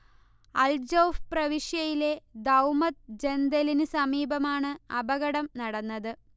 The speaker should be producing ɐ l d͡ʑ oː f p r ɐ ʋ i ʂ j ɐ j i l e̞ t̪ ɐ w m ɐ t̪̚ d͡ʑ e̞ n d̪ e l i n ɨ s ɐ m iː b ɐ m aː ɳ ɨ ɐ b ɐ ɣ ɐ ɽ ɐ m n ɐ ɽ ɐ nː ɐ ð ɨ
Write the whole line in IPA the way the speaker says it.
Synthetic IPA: ɐ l d͡ʑ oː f p r ɐ ʋ i ʂ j ɐ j i l e̞ d̪ ɐ w m ɐ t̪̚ d͡ʑ e̞ n d̪ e l i n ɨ s ɐ m iː b ɐ m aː ɳ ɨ ɐ b ɐ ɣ ɐ ɽ ɐ m n ɐ ɽ ɐ nː ɐ ð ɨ